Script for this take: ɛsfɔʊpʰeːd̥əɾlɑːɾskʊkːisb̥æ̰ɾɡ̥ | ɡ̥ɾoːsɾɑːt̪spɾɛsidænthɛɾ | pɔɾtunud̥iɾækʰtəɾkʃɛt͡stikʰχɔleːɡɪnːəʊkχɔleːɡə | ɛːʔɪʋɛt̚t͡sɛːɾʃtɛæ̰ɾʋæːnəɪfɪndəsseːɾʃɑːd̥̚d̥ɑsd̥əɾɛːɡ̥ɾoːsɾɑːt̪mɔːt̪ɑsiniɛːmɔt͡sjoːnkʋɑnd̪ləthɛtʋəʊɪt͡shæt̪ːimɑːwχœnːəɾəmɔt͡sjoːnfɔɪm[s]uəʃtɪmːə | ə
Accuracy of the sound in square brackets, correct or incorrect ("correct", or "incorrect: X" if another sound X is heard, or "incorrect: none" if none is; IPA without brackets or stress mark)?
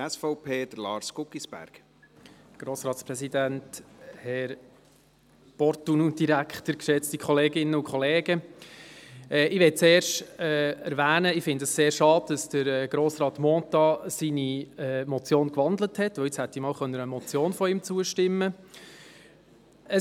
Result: incorrect: t͡s